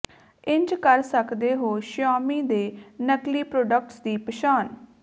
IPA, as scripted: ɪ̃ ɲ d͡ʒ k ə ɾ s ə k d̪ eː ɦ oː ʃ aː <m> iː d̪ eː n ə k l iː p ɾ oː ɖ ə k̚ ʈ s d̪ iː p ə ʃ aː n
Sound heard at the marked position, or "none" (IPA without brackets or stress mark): m